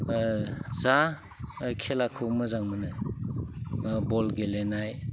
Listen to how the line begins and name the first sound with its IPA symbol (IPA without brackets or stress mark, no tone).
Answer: z